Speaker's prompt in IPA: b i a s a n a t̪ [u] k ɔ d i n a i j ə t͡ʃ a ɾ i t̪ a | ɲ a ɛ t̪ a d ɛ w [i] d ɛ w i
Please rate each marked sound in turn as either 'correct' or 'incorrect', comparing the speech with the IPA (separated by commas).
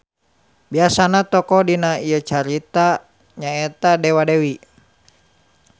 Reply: incorrect, incorrect